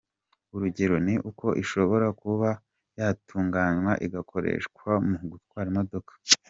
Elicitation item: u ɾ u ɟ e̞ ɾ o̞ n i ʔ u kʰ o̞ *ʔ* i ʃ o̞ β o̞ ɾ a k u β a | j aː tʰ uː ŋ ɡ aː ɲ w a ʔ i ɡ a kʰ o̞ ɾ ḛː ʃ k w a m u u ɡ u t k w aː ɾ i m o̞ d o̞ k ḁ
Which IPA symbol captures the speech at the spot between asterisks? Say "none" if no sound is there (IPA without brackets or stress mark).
ʔ